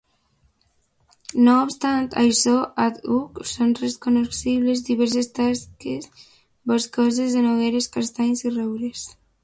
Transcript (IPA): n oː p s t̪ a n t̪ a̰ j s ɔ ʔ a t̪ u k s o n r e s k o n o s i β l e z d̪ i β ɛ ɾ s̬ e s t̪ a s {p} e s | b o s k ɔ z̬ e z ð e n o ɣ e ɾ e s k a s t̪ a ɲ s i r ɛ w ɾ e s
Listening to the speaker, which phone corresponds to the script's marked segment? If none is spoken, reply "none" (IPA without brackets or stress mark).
k